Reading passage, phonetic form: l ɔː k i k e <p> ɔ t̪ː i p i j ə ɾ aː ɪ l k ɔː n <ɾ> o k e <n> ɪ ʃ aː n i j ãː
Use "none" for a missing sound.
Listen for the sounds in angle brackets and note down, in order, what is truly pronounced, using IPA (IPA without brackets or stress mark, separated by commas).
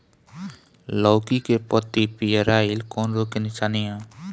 p, ɾ, n